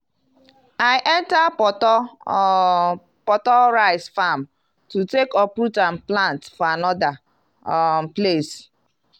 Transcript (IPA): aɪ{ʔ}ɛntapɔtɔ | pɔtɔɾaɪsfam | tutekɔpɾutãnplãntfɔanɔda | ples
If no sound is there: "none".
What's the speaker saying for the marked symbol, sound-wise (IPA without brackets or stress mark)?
ʔ